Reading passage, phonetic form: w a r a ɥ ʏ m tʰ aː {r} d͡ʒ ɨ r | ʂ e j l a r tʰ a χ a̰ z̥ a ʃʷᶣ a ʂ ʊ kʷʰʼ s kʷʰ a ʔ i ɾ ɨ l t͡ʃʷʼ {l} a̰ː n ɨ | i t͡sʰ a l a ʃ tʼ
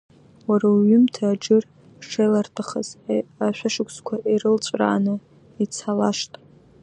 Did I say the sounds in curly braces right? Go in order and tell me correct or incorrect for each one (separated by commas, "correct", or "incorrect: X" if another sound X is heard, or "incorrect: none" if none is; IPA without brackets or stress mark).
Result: incorrect: none, incorrect: r